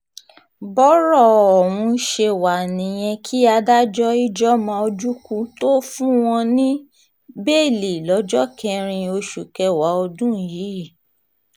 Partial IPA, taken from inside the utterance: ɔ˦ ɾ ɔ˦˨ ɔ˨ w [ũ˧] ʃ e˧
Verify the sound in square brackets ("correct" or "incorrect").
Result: correct